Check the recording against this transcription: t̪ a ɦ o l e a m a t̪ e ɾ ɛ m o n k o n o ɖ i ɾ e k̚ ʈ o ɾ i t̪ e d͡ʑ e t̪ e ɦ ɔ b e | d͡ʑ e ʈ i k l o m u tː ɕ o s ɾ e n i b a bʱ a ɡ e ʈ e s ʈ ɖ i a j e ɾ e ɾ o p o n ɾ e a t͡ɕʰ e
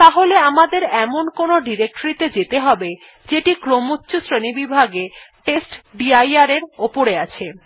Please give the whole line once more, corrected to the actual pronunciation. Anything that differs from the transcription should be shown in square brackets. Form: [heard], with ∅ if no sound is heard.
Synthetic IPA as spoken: t̪ a ɦ o l e a m a [d̪] e ɾ ɛ m o n k o n o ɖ i ɾ e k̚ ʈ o ɾ i t̪ e d͡ʑ e t̪ e ɦ ɔ b e | d͡ʑ e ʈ i k [ɾ] o m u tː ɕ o s ɾ e n i b [i] bʱ a ɡ e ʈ e s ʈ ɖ i a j [a] ɾ e ɾ o p o [∅] ɾ e a t͡ɕʰ e

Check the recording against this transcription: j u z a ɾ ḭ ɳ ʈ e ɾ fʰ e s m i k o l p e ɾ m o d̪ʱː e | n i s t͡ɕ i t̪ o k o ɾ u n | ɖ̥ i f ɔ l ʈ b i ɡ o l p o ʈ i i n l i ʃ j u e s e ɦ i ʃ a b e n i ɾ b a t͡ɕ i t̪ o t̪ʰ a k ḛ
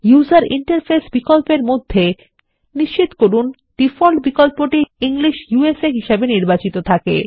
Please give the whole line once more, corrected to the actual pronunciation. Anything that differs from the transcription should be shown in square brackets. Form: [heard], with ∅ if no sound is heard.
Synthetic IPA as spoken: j u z a ɾ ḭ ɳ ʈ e ɾ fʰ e s [b] i k o l p e ɾ m o d̪ʱː e | n i [ʃ] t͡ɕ i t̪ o k o ɾ u n | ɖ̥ i f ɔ l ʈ b i [k] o l p o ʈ i i [ŋ] l i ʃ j u e s e ɦ i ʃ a b e n i ɾ b a t͡ɕ i t̪ o t̪ʰ a k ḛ

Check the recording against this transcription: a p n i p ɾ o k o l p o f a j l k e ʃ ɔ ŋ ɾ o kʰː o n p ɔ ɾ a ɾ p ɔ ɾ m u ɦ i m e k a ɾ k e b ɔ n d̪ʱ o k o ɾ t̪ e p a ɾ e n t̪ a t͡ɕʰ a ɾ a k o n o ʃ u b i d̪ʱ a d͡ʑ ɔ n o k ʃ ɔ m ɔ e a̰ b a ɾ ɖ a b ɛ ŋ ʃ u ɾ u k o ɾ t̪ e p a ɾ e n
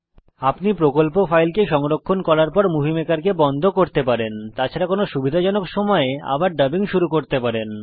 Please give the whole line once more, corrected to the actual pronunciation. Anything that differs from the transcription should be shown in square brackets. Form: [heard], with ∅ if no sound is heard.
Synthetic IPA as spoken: a p n i p ɾ o k o l p o f a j l k e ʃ ɔ ŋ ɾ o kʰː o n [k] ɔ ɾ a ɾ p ɔ ɾ m u ɦ i m e k a ɾ k e b ɔ n d̪ʱ o k o ɾ t̪ e p a ɾ e n t̪ a t͡ɕʰ a ɾ a k o n o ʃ u b i d̪ʱ a d͡ʑ ɔ n o k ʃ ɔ m ɔ e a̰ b a ɾ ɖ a b [i] ŋ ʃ u ɾ u k o ɾ t̪ e p a ɾ e n

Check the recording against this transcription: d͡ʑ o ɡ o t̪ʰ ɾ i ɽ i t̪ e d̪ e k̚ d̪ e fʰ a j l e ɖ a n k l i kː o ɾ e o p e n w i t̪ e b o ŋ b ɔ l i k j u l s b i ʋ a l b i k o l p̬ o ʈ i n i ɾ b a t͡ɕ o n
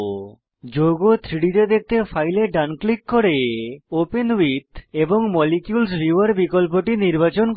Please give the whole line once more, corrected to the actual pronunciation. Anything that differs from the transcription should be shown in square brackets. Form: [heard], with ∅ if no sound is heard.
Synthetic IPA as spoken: d͡ʑ o ɡ o t̪ʰ ɾ i ɽ i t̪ e d̪ e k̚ [t̪] e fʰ a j l e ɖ a n k l i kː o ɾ e o p e n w i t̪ e b o ŋ [m] ɔ l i k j u l s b i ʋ a [ɾ] b i k o l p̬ o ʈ i n i ɾ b a t͡ɕ o n

